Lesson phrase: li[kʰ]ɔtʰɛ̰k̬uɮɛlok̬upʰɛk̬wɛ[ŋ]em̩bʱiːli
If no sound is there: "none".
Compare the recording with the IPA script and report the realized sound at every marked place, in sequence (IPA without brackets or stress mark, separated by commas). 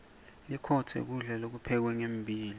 kʰ, ŋ